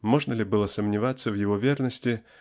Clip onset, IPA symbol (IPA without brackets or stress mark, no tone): m